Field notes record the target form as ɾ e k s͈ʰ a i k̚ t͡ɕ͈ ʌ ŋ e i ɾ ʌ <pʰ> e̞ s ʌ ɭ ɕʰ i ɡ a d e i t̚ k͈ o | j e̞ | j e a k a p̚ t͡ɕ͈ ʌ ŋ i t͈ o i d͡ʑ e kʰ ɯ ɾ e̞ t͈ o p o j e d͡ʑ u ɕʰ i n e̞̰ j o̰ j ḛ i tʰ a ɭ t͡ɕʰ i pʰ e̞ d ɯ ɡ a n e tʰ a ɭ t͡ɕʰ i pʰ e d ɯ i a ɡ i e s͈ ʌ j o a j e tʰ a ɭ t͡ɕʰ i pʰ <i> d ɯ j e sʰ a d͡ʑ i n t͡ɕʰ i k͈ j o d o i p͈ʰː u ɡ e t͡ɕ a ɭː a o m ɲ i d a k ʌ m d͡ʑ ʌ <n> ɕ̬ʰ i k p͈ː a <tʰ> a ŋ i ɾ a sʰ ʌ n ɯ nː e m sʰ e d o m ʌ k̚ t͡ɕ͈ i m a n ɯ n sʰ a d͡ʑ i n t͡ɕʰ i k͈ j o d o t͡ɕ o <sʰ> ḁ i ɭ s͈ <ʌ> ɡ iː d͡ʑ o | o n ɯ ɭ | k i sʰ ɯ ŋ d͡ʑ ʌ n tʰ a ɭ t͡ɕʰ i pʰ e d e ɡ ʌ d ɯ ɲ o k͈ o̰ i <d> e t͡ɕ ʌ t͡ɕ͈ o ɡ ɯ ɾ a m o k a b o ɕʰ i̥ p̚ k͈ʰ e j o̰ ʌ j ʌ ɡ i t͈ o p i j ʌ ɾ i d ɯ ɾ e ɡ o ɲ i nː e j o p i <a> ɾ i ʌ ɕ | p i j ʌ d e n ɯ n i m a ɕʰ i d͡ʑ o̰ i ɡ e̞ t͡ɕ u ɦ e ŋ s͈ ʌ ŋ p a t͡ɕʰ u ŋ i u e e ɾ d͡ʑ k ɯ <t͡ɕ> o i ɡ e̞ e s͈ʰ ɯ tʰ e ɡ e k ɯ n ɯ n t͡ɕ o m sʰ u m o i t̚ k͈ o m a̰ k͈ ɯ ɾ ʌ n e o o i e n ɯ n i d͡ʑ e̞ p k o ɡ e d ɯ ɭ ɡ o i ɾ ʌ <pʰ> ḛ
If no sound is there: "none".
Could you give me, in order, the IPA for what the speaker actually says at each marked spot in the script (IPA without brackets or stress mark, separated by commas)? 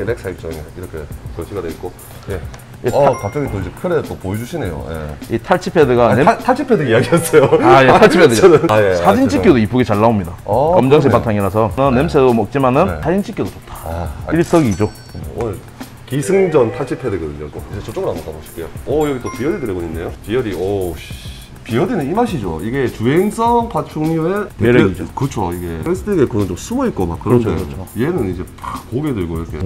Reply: kʰ, e, ŋ, tʰ, tʰ, ʌ, d͡ʑ, ʌ, t͡ɕʰ, kʰ